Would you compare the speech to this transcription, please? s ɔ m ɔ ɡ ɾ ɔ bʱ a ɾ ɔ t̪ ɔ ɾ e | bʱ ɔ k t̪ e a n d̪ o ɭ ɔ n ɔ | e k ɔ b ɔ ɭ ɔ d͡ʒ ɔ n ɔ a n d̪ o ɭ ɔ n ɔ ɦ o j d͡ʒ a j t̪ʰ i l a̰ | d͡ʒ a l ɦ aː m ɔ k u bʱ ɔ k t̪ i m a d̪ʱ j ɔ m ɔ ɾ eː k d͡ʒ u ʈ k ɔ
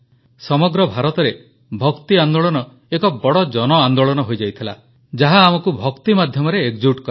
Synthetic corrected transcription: s ɔ m ɔ ɡ ɾ ɔ bʱ a ɾ ɔ t̪ ɔ ɾ e | bʱ ɔ k t̪ i a n d̪ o ɭ ɔ n ɔ | e k ɔ b ɔ ɽ ɔ d͡ʒ ɔ n ɔ a n d̪ o ɭ ɔ n ɔ ɦ o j d͡ʒ a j t̪ʰ i l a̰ | d͡ʒ a ɦ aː m ɔ k u bʱ ɔ k t̪ i m a d̪ʱ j ɔ m ɔ ɾ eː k d͡ʒ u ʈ k ɔ

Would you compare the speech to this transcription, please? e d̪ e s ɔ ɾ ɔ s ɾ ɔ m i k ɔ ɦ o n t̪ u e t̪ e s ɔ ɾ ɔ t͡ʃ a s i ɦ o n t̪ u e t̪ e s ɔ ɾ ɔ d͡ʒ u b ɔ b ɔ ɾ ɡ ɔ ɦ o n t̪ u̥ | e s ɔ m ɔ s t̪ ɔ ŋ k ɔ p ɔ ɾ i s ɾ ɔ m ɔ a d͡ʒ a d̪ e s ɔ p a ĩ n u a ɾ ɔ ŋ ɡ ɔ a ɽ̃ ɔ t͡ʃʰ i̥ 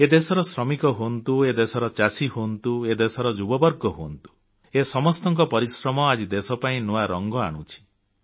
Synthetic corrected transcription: e d̪ e s ɔ ɾ ɔ s ɾ ɔ m i k ɔ ɦ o n t̪ u e d̪ e s ɔ ɾ ɔ t͡ʃ a s i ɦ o n t̪ u e d̪ e s ɔ ɾ ɔ d͡ʒ u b ɔ b ɔ ɾ ɡ ɔ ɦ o n t̪ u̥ | e s ɔ m ɔ s t̪ ɔ ŋ k ɔ p ɔ ɾ i s ɾ ɔ m ɔ a d͡ʒ i d̪ e s ɔ p a ĩ n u a ɾ ɔ ŋ ɡ ɔ a ɽ̃ u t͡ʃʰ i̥

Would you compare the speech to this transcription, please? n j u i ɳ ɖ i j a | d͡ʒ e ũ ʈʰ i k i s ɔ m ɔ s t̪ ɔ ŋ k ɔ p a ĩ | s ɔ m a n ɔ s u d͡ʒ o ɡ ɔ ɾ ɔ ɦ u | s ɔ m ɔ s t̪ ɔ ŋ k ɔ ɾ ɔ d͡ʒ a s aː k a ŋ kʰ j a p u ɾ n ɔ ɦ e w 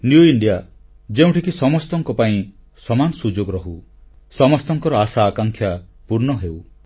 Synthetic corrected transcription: n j u i ɳ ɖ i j a | d͡ʒ e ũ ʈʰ i k i s ɔ m ɔ s t̪ ɔ ŋ k ɔ p a ĩ | s ɔ m a n ɔ s u d͡ʒ o ɡ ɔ ɾ ɔ ɦ u | s ɔ m ɔ s t̪ ɔ ŋ k ɔ ɾ ɔ a s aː k a ŋ kʰ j a p u ɾ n ɔ ɦ e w

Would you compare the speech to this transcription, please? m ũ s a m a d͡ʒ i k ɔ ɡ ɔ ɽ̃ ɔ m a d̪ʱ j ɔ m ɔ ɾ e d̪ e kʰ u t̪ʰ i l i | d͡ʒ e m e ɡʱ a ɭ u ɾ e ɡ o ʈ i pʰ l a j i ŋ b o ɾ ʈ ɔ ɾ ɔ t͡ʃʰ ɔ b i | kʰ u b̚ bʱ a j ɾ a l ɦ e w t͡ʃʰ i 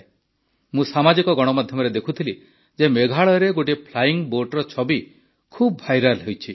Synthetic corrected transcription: m ũ s a m a d͡ʒ i k ɔ ɡ ɔ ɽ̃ ɔ m a d̪ʱ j ɔ m ɔ ɾ e d̪ e kʰ u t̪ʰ i l i | d͡ʒ e m e ɡʱ a ɭ ɔ ɾ e ɡ o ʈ i pʰ l a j i ŋ b o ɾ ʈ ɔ ɾ ɔ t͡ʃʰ ɔ b i | kʰ u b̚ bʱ a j ɾ a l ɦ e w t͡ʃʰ i

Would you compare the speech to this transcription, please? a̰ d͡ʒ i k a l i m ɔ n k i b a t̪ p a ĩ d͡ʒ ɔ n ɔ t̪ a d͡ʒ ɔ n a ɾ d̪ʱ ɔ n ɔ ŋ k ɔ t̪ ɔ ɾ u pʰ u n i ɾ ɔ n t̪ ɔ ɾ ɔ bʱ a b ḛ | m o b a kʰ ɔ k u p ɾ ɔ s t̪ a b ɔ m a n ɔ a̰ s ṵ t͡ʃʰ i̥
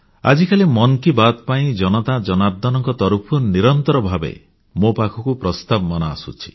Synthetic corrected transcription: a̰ d͡ʒ i k a l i m ɔ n k i b a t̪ p a ĩ d͡ʒ ɔ n ɔ t̪ a d͡ʒ ɔ n a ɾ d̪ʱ ɔ n ɔ ŋ k ɔ t̪ ɔ ɾ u pʰ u n i ɾ ɔ n t̪ ɔ ɾ ɔ bʱ a b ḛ | m o p a kʰ ɔ k u p ɾ ɔ s t̪ a b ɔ m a n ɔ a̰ s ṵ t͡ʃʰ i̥

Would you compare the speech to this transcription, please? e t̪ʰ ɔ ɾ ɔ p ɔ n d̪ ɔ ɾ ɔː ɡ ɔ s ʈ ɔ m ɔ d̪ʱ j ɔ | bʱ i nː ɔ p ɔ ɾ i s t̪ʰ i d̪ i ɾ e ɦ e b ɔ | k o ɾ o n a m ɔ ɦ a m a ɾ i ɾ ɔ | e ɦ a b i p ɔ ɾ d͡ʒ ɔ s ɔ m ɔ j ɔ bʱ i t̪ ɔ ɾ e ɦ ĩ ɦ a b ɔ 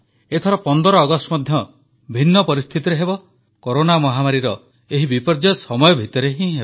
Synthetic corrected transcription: e t̪ʰ ɔ ɾ ɔ p ɔ n d̪ ɔ ɾ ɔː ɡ ɔ s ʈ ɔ m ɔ d̪ʱ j ɔ | bʱ i nː ɔ p ɔ ɾ i s t̪ʰ i t̪ i ɾ e ɦ e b ɔ | k o ɾ o n a m ɔ ɦ a m a ɾ i ɾ ɔ | e ɦ i b i p ɔ ɾ d͡ʒ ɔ s ɔ m ɔ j ɔ bʱ i t̪ ɔ ɾ e ɦ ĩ ɦ e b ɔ

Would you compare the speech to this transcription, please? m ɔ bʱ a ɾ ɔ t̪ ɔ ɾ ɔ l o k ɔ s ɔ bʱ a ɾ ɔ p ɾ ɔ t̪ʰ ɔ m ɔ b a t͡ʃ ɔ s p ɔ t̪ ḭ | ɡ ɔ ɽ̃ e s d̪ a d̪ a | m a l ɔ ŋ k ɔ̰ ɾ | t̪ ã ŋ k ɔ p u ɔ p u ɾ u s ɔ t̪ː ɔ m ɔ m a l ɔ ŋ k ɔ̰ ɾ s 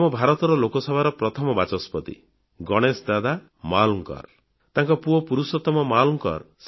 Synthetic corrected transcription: m ɔ bʱ a ɾ ɔ t̪ ɔ ɾ ɔ l o k ɔ s ɔ bʱ a ɾ ɔ p ɾ ɔ t̪ʰ ɔ m ɔ b a t͡ʃ ɔ s p ɔ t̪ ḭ | ɡ ɔ ɽ̃ e s d̪ a d̪ a | m a l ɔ ŋ k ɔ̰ ɾ | t̪ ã ŋ k ɔ p u ɔ p u ɾ u s ɔ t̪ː ɔ m ɔ m a l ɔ ŋ k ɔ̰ ɾ s

